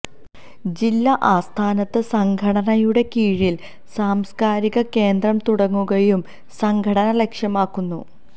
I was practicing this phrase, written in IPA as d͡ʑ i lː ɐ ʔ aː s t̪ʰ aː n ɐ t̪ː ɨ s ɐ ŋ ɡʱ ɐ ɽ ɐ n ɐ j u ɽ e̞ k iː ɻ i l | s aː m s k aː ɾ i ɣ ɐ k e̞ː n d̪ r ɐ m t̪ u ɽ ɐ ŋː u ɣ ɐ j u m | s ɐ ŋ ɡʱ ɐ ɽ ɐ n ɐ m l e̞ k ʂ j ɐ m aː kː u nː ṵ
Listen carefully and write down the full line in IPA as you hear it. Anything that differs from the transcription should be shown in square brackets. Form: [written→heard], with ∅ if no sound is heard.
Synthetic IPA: d͡ʑ i lː ɐ ʔ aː s t̪ʰ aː n ɐ t̪ː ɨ s ɐ ŋ ɡʱ ɐ ɽ ɐ n ɐ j u ɽ e̞ k iː ɻ i l | s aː m s k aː ɾ i ɣ ɐ k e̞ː n d̪ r ɐ m t̪ u ɽ ɐ ŋː u ɣ ɐ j u m | s ɐ ŋ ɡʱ ɐ ɽ ɐ n ɐ [m→∅] l e̞ k ʂ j ɐ m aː kː u nː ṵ